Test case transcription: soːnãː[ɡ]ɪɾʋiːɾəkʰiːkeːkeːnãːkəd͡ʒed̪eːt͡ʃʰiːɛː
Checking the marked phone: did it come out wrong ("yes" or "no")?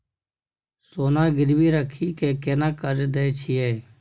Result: no